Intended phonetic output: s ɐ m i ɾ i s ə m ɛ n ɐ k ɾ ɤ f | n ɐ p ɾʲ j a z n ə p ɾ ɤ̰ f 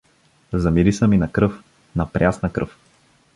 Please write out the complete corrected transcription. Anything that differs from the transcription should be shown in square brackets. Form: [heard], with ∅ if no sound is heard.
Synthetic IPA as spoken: [z] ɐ m i ɾ i s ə m [i] n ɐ k ɾ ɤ f | n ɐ p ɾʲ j a [s] n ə [k] ɾ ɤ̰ f

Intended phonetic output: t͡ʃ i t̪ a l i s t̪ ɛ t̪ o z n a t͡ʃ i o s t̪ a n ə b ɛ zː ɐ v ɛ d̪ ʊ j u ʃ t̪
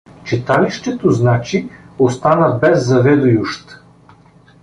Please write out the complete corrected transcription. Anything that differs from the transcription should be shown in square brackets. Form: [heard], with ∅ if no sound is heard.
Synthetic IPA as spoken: t͡ʃ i t̪ a l i [ʃ] t̪ ɛ t̪ o z n a t͡ʃ i o s t̪ a n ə b ɛ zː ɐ v ɛ d̪ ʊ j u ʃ t̪

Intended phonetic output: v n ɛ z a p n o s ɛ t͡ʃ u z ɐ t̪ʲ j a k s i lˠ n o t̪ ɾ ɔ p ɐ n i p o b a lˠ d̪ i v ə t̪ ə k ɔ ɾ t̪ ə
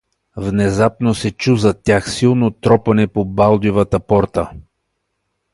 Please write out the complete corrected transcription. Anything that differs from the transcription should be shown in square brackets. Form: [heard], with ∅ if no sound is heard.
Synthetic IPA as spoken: v n ɛ z a p n o s ɛ t͡ʃ u z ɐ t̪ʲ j a [x] s i lˠ n o t̪ ɾ ɔ p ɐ n [ɛ] p o b a lˠ d̪ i v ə t̪ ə [p] ɔ ɾ t̪ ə

